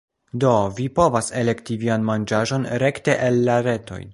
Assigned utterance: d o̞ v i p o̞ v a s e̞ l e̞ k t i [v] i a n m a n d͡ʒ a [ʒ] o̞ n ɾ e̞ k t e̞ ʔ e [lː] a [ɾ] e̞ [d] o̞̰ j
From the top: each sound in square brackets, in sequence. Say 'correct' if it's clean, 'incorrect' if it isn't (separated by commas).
correct, correct, correct, correct, incorrect